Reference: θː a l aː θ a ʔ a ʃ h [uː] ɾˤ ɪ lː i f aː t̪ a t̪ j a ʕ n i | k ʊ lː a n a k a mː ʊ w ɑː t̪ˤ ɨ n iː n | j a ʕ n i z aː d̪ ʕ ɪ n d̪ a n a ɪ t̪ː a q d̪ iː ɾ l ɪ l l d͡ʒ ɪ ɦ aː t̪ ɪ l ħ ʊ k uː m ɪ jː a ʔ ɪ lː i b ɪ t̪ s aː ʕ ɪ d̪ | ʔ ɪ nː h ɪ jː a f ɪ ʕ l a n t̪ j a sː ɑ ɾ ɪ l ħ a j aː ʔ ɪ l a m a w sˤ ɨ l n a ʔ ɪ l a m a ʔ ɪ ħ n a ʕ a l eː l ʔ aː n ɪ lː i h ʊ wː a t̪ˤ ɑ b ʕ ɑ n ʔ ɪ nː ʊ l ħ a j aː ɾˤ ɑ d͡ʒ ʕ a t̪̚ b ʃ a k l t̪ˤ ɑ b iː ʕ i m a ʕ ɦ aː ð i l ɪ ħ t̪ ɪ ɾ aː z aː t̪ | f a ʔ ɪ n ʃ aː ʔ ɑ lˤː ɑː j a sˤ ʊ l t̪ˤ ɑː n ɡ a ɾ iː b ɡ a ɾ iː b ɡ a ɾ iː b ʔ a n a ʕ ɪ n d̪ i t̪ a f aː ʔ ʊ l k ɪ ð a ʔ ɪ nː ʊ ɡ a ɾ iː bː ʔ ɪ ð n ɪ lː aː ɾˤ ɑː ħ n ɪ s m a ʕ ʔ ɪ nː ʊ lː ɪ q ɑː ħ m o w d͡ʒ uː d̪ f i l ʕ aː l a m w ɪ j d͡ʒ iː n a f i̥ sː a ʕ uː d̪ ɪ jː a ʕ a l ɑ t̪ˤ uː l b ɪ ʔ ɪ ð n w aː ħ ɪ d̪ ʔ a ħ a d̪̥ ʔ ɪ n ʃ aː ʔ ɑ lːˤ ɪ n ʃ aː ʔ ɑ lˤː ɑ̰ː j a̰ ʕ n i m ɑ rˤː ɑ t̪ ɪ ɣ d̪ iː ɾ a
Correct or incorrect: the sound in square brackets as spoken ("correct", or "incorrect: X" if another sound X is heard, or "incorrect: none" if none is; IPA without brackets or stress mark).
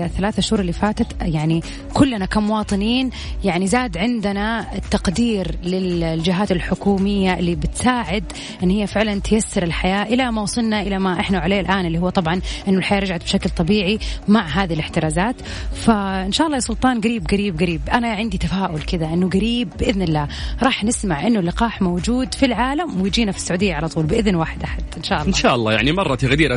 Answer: correct